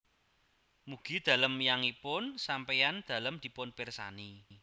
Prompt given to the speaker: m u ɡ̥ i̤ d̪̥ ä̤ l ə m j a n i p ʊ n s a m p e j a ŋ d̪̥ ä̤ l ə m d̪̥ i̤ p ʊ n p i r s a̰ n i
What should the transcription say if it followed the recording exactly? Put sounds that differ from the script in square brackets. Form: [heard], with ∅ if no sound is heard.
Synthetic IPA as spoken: m u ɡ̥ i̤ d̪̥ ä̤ l ə m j a [ŋ] i p ʊ n s a m p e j a [n] d̪̥ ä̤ l ə m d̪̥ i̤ p ʊ n p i r s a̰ n i